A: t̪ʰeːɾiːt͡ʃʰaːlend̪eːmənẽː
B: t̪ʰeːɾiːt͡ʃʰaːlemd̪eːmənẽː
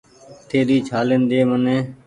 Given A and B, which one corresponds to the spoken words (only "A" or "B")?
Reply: A